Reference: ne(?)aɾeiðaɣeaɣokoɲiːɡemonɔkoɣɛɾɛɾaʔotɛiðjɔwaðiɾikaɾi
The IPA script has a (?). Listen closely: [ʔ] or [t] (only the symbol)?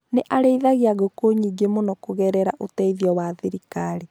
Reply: ʔ